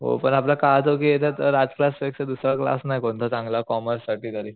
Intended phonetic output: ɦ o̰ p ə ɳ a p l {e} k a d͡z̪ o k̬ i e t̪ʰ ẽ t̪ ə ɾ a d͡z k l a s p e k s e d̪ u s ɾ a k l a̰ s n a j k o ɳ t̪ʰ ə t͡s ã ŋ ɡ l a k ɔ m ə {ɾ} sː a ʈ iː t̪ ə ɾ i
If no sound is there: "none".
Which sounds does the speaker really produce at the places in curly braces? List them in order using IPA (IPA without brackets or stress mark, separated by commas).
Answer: a, ɾ